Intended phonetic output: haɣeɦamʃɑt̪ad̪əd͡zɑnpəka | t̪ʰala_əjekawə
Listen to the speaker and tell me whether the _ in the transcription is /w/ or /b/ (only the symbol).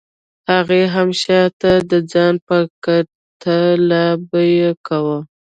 b